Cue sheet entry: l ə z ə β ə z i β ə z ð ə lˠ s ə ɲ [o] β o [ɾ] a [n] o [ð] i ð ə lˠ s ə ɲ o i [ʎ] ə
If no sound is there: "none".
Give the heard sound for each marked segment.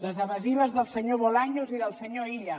o, l, ɲ, z, ʎ

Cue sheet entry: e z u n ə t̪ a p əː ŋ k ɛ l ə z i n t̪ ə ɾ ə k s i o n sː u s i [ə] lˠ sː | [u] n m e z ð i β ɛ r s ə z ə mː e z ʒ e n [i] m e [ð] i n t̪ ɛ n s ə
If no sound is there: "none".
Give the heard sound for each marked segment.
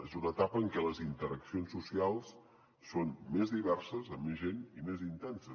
a, o, i, z

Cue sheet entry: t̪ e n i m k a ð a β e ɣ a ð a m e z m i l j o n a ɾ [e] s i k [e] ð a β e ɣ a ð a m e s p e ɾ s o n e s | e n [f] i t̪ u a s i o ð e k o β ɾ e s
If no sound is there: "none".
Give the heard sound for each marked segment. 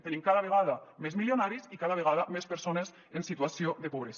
i, a, s

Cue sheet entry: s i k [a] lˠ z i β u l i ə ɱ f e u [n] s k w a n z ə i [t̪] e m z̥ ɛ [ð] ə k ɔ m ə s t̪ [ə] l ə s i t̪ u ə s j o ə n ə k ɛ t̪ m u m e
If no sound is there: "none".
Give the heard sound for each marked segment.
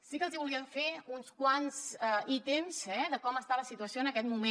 ə, n, t̪, ð, a

